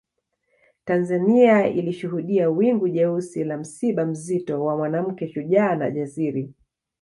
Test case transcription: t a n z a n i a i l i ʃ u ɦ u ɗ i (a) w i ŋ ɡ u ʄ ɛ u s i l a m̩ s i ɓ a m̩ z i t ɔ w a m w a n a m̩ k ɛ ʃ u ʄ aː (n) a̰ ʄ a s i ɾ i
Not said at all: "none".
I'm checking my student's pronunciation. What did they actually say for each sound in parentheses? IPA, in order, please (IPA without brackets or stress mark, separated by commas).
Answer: a, n